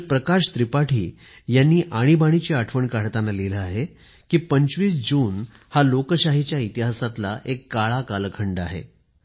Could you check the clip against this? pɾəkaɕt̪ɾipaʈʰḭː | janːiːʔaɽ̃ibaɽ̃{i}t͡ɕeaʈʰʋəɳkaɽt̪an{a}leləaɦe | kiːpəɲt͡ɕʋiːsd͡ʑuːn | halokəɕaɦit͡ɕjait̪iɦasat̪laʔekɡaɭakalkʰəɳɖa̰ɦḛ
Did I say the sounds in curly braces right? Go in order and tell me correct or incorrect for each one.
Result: correct, correct

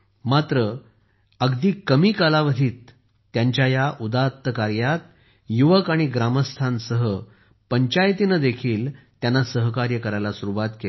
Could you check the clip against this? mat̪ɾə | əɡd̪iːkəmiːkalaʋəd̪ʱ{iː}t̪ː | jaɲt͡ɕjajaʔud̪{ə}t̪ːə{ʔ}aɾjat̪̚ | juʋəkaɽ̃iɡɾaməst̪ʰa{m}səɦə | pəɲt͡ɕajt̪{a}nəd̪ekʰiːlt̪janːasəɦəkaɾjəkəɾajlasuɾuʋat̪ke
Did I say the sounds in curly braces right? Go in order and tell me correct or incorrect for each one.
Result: correct, incorrect: a, incorrect: k, incorrect: n, incorrect: i

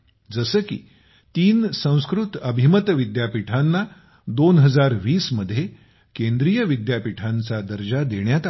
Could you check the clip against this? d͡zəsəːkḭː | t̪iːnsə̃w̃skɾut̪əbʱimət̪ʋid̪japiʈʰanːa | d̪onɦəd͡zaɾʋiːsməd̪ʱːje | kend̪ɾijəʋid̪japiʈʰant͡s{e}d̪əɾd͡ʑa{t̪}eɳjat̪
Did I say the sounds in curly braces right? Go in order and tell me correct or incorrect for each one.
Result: incorrect: a, incorrect: d̪

